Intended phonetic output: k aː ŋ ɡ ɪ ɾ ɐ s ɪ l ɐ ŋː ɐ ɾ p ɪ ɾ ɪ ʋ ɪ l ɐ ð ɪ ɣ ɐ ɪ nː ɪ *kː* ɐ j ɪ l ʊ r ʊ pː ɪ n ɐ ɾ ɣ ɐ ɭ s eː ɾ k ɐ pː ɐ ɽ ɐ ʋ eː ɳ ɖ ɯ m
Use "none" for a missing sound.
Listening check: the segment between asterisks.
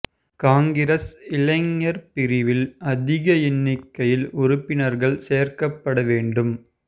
kː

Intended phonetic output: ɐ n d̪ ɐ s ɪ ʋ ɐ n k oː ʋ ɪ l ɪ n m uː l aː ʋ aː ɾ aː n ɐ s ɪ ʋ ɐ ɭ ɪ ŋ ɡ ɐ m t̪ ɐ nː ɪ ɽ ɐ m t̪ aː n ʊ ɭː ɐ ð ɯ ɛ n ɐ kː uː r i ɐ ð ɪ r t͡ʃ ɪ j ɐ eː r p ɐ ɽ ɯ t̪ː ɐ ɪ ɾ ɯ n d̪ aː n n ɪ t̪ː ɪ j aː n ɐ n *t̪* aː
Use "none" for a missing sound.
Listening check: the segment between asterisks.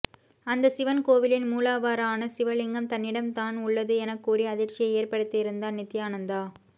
d̪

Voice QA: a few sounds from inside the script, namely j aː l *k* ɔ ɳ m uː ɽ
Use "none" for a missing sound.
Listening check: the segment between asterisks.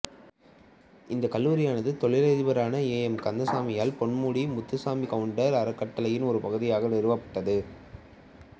p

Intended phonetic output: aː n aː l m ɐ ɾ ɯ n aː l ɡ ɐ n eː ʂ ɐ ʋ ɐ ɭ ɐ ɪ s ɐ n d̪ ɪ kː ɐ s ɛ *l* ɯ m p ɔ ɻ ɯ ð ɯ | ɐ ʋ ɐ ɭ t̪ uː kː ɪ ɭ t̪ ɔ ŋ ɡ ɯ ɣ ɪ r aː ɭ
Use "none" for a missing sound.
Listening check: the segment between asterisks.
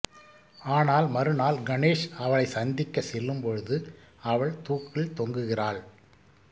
lː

